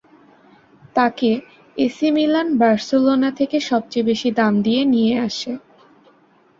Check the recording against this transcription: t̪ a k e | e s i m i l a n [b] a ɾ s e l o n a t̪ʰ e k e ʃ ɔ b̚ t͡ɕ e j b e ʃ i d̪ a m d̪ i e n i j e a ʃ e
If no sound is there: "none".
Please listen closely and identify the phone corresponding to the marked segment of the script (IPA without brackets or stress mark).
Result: b